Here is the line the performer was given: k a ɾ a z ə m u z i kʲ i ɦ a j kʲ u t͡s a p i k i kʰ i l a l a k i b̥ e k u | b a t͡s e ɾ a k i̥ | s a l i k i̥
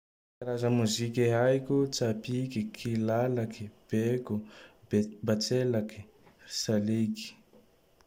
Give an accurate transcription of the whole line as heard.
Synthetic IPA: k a ɾ a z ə m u z i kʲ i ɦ a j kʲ u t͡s a p i k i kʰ i l a l a k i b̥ e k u | b a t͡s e l a k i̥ | s a l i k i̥